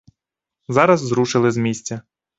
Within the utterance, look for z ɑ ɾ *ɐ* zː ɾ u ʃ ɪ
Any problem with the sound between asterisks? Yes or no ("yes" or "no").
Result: no